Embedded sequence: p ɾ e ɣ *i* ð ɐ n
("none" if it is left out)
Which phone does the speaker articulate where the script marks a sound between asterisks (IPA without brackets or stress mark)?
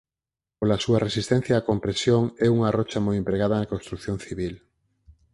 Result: a